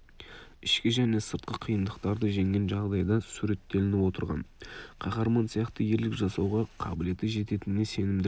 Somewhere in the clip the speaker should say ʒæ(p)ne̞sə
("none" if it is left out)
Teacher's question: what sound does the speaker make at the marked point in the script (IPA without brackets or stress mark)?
none